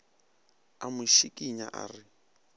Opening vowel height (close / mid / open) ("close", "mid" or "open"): open